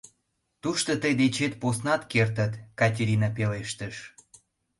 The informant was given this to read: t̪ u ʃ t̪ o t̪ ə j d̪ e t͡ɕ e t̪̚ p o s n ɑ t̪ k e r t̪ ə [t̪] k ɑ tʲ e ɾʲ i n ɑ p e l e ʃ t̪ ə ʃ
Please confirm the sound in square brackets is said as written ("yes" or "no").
yes